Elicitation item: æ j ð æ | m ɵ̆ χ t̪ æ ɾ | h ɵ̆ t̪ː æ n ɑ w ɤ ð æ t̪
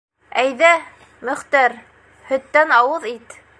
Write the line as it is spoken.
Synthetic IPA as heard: æ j ð æ | m ɵ̆ χ t̪ æ ɾ | h ɵ̆ t̪ː æ n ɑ w ɤ ð i t̪